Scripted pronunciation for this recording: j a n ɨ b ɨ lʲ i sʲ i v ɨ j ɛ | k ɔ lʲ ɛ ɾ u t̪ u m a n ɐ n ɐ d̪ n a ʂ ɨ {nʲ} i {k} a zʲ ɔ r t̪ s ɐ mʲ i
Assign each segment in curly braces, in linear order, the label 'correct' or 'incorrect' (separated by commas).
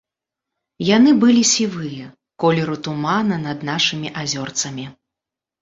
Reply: incorrect, incorrect